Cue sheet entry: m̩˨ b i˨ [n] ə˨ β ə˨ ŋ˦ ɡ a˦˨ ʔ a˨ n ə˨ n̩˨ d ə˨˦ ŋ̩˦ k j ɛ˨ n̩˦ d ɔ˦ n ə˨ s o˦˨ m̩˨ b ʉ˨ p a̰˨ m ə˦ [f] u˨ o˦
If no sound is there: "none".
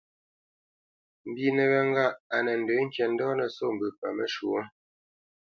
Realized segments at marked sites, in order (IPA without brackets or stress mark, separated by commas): n, ʃ